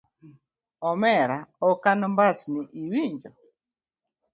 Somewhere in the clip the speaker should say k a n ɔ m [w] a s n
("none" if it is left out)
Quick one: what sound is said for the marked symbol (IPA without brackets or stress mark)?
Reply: b